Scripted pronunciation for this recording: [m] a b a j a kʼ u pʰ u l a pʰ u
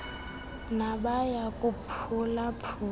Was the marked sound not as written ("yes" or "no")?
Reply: yes